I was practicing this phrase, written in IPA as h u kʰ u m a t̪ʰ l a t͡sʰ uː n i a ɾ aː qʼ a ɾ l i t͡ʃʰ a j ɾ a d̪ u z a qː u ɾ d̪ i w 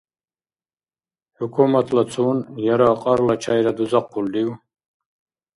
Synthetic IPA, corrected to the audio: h u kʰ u m a t̪ʰ l a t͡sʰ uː n j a ɾ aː qʼ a ɾ l a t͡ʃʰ a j ɾ a d̪ u z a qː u l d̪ i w